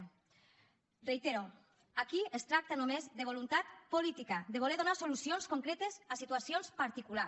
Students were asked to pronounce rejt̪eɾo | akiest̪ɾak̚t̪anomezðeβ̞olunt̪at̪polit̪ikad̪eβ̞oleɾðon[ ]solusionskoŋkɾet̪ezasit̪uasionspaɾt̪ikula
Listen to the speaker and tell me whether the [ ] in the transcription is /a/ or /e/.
a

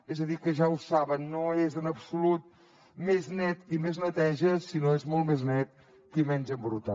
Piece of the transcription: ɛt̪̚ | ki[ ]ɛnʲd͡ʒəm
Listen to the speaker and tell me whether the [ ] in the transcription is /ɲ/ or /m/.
m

